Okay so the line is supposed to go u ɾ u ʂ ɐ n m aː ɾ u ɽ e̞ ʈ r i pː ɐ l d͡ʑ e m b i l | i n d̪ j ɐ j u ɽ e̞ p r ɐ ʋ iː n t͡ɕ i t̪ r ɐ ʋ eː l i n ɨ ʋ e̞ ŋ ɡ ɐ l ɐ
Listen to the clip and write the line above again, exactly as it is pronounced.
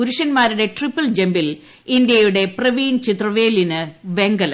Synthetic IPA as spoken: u ɾ u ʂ ɐ n m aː ɾ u ɽ e̞ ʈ r i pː ɐ l d͡ʑ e m b i l | i n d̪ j ɐ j u ɽ e̞ p r ɐ ʋ iː n t͡ɕ i t̪ r ɐ ʋ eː l i n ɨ ʋ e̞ ŋ ɡ ɐ l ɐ